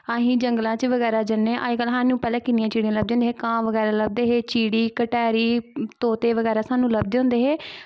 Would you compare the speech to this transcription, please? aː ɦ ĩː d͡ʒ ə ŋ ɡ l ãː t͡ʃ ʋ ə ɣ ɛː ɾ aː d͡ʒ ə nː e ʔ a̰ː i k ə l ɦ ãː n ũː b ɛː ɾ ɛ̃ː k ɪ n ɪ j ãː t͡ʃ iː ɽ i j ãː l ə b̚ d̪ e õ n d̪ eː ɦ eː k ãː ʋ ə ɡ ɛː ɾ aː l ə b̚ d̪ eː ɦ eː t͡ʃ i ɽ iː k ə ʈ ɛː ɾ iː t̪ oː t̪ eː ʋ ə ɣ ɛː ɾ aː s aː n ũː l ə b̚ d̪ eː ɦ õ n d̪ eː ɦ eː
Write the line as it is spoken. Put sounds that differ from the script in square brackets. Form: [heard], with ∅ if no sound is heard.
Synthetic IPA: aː ɦ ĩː d͡ʒ ə ŋ ɡ l ãː t͡ʃ ʋ ə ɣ ɛː ɾ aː d͡ʒ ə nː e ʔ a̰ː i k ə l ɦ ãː n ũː [p] ɛː [l] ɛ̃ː k ɪ n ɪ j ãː t͡ʃ iː ɽ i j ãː l ə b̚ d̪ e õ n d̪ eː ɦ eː k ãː ʋ ə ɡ ɛː ɾ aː l ə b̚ d̪ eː ɦ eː t͡ʃ [iː] ɽ iː k ə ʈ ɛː ɾ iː t̪ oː t̪ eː ʋ ə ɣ ɛː ɾ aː s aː n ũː l ə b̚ d̪ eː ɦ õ n d̪ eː ɦ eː